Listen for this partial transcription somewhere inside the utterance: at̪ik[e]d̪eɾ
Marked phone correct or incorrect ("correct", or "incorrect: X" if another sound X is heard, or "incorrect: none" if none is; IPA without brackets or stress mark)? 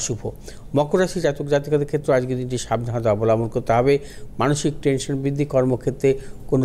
incorrect: a